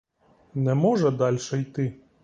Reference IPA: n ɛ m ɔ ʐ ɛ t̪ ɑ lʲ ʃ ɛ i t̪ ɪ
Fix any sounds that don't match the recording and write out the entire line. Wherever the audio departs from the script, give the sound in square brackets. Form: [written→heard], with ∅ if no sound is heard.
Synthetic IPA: n ɛ m ɔ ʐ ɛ [t̪→d̪] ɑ lʲ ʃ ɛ [i→j] t̪ ɪ